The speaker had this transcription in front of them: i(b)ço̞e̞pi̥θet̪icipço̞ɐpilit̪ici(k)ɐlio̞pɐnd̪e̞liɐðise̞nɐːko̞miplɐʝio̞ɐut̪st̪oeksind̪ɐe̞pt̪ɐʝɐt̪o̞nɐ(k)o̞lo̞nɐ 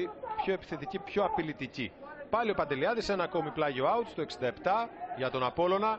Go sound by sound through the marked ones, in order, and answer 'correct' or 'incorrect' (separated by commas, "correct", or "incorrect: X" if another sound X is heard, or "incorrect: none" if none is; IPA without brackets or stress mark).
incorrect: p, incorrect: p, incorrect: p